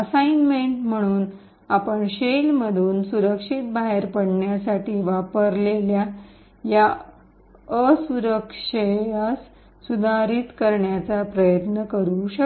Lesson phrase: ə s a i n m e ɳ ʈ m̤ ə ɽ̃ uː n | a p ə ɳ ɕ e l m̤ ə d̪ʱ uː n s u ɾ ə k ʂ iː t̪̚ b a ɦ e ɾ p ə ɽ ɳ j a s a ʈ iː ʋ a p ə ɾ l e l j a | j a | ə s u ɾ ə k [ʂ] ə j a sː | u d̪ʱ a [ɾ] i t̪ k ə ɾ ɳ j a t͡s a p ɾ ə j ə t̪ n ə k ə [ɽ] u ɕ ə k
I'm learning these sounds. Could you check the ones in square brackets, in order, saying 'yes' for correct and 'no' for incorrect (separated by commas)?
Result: yes, yes, no